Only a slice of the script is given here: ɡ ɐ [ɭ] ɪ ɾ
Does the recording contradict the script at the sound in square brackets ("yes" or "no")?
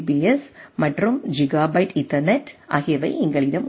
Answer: no